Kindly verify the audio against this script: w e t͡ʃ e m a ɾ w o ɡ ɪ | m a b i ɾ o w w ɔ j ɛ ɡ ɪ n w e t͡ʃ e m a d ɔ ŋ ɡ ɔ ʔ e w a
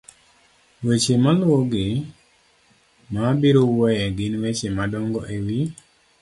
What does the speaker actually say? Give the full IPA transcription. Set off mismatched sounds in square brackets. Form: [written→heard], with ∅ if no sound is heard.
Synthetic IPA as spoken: w e t͡ʃ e m a [ɾ→l] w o ɡ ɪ | m a b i ɾ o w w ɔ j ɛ ɡ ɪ n w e t͡ʃ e m a d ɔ ŋ ɡ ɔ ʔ e w [a→i]